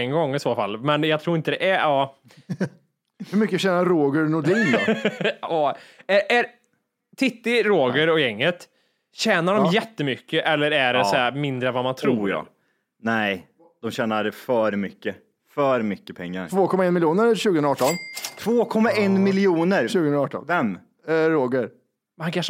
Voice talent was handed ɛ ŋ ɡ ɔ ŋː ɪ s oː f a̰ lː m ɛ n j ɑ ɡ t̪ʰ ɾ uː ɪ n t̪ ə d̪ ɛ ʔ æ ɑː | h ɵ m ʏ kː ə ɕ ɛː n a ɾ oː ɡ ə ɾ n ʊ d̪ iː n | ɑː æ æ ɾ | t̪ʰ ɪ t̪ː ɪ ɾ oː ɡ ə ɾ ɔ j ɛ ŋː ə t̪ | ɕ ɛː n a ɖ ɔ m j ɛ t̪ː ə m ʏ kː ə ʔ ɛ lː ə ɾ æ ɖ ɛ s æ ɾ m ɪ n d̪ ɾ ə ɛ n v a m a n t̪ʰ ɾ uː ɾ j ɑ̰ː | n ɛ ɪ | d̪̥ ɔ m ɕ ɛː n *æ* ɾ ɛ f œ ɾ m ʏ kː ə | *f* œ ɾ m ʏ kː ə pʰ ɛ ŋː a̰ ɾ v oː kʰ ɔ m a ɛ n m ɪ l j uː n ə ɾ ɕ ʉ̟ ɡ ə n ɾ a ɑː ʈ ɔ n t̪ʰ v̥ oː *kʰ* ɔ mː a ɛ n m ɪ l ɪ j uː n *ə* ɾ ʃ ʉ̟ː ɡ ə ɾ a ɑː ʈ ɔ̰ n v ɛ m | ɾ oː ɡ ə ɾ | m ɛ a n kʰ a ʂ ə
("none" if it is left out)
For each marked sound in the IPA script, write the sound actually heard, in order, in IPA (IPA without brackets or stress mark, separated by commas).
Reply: a, f, kʰ, ə